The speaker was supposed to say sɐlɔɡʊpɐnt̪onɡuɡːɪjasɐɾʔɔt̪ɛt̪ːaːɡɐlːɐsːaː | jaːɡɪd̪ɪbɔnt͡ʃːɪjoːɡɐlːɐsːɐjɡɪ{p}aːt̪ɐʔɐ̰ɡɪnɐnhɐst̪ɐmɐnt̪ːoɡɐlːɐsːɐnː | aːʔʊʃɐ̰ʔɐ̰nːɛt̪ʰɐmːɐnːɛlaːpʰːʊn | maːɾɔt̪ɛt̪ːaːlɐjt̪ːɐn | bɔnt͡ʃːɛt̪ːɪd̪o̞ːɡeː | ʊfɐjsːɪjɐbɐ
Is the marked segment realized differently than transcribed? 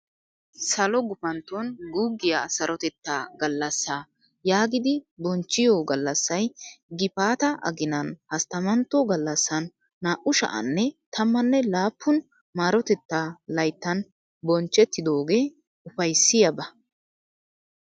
no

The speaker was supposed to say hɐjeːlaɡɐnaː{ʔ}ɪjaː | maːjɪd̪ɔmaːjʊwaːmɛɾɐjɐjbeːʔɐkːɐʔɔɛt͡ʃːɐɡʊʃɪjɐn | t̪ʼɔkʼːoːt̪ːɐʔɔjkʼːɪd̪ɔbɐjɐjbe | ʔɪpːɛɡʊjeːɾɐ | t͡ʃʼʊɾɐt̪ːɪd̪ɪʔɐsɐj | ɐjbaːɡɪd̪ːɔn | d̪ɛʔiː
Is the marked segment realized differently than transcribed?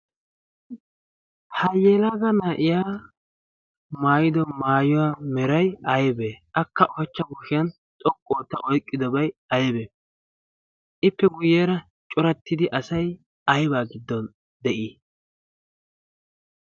no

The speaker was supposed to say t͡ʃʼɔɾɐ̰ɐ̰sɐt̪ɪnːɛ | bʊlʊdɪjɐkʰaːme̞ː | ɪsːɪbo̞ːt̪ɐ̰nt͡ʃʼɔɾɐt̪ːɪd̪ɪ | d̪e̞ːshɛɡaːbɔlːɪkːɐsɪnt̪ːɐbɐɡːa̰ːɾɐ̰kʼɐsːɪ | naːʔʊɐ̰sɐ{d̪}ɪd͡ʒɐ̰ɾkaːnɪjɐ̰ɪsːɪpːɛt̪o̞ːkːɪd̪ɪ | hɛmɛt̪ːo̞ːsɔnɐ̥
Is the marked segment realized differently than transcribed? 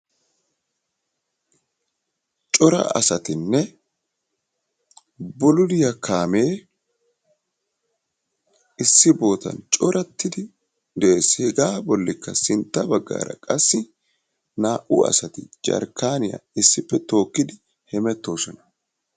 yes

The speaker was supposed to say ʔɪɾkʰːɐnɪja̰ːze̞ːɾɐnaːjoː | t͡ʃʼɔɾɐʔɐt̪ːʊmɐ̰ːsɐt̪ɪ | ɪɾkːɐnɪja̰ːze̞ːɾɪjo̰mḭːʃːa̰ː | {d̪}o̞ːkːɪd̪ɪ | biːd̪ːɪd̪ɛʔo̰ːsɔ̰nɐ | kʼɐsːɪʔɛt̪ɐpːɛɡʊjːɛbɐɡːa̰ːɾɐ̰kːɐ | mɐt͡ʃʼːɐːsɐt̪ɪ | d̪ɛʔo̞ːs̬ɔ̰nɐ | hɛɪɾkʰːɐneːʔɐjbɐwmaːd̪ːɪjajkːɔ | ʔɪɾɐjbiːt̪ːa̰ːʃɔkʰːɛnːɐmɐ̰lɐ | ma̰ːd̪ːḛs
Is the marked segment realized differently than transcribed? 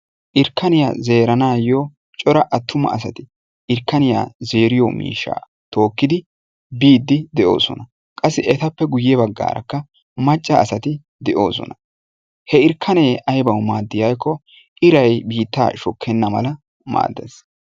yes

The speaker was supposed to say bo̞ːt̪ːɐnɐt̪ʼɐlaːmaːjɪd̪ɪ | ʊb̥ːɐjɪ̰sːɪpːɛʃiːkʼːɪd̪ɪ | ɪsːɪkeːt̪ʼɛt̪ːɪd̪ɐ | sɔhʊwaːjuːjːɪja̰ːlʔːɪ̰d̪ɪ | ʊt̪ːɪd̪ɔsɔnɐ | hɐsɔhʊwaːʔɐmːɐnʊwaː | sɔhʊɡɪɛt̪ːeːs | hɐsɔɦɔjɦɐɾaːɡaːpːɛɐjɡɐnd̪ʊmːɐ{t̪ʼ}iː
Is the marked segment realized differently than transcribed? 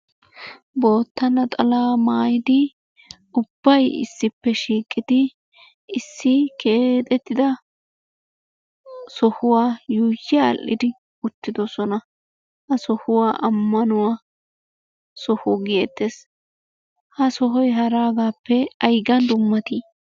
yes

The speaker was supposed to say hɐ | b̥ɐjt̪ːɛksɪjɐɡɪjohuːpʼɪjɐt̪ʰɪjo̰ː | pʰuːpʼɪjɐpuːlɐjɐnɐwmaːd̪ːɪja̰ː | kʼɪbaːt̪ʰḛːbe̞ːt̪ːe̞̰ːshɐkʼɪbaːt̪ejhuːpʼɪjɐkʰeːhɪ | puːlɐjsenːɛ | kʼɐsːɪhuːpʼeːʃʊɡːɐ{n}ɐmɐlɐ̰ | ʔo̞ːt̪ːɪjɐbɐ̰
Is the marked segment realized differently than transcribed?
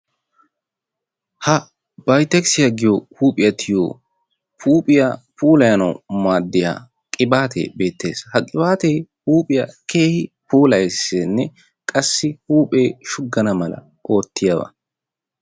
no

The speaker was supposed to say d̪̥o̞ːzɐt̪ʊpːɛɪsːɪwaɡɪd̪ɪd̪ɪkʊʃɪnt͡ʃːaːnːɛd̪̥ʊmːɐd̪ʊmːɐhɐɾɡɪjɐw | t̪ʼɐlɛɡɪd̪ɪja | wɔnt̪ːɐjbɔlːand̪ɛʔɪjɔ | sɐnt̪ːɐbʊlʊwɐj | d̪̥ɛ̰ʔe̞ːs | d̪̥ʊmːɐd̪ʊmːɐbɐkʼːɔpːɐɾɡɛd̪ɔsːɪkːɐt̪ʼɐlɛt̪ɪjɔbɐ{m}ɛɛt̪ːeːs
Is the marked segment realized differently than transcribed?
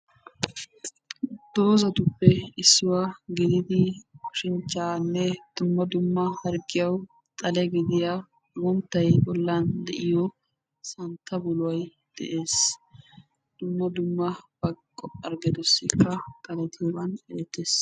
yes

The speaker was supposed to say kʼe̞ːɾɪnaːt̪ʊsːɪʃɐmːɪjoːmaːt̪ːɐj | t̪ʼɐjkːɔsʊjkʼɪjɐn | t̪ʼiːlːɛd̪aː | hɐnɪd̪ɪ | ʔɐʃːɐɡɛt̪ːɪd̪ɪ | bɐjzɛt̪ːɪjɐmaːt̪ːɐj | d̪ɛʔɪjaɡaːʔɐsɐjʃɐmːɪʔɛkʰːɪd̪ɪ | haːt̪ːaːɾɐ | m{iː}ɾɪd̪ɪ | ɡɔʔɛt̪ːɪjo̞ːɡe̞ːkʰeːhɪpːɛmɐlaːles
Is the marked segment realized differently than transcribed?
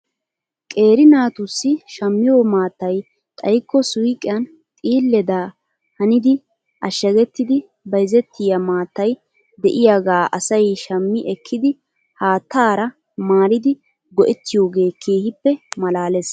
yes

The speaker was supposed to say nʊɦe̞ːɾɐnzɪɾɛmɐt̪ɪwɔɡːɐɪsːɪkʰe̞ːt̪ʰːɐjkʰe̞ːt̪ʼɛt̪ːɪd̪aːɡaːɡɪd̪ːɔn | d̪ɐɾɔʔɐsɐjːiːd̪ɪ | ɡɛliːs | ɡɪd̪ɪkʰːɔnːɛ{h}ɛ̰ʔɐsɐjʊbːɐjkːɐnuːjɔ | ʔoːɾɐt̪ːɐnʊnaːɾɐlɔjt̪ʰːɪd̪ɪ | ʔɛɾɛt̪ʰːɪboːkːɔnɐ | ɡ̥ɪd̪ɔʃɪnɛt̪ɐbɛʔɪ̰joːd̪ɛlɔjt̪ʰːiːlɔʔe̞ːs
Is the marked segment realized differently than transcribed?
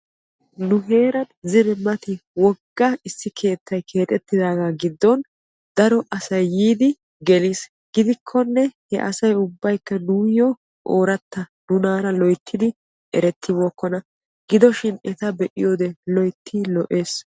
no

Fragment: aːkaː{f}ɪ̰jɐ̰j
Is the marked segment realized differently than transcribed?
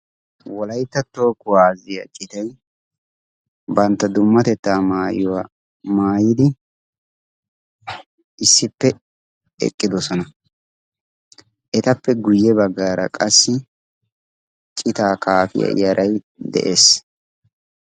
no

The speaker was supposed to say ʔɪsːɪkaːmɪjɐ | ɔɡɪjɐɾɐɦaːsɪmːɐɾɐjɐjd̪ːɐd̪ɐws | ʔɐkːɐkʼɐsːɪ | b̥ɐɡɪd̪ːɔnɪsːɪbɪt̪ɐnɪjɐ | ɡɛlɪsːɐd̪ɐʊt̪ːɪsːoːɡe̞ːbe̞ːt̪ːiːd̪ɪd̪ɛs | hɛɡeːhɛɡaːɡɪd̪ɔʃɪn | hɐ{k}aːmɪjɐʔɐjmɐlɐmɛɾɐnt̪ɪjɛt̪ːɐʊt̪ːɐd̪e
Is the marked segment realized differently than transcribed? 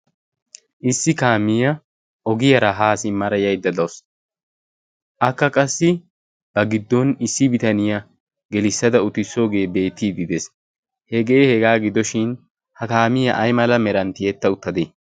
no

